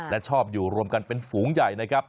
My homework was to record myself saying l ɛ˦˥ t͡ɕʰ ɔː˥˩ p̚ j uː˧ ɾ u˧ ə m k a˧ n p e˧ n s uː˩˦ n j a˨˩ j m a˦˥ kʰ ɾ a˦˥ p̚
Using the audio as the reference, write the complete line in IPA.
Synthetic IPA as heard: l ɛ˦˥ t͡ɕʰ ɔː˥˩ p̚ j uː˨˩ ɾ u˧ ə m k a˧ n p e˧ n f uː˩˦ ŋ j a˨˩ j n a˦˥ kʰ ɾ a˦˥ p̚